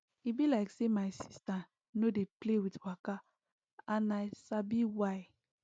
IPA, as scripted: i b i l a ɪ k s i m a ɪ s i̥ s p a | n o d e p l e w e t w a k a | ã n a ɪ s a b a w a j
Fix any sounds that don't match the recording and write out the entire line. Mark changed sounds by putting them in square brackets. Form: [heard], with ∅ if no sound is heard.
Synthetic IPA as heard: i b i l a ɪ k s [e] m a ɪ s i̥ s [t] a | n o d e p l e w [i] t w a k a | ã n a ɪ s a b [i] w a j